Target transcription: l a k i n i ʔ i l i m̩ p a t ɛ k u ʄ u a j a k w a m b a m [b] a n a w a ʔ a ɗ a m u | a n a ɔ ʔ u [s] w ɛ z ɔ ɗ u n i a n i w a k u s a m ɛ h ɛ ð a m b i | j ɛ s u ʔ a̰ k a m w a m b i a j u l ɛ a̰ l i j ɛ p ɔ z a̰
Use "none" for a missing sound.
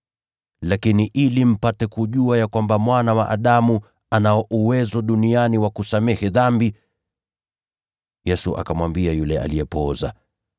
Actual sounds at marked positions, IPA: w, none

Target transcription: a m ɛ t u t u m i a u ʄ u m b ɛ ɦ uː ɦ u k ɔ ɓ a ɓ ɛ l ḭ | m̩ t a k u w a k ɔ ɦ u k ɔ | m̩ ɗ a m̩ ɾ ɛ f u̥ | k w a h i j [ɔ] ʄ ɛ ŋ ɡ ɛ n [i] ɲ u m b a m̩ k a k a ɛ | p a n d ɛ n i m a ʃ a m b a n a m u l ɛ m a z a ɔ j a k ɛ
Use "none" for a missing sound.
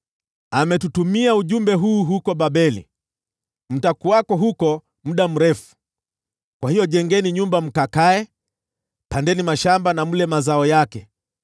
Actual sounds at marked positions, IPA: ɔ, i

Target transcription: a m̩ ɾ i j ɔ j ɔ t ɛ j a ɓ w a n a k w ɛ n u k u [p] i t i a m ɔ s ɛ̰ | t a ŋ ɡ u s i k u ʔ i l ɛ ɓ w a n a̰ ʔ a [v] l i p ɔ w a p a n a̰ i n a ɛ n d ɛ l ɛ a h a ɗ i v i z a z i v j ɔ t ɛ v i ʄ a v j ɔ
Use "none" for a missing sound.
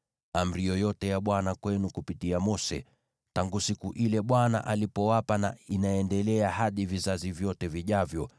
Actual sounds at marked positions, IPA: p, none

